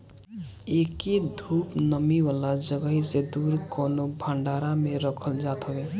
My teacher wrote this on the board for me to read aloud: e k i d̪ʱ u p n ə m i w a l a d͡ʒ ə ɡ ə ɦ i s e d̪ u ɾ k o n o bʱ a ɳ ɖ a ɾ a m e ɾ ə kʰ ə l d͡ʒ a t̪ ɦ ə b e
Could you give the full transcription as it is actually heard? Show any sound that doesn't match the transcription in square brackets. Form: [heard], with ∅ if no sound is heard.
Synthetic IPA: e k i d̪ʱ u p n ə m i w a l a d͡ʒ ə ɡ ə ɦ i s e d̪ u ɾ k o n o bʱ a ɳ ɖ a ɾ a m e ɾ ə kʰ ə l d͡ʒ a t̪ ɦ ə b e